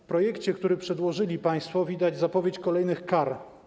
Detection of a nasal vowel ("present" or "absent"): absent